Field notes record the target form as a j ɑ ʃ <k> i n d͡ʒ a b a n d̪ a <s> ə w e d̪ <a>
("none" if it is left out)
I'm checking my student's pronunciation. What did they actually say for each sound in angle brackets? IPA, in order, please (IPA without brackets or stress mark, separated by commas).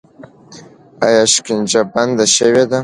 k, ʃ, a